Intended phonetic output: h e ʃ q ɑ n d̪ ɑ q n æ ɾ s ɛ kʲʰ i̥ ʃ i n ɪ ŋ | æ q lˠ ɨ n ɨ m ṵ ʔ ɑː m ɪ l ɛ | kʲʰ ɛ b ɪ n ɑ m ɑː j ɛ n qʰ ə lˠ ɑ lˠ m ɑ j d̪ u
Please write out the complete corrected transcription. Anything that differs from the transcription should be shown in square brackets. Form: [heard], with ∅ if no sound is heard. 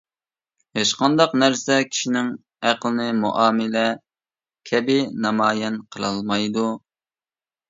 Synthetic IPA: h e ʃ q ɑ n d̪ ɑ q n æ ɾ s ɛ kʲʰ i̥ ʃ i n ɪ ŋ | æ q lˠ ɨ n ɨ m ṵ ʔ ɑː m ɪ l ɛ | kʲʰ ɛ b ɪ n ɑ m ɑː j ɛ n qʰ ə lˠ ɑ lˠ m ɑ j d̪ u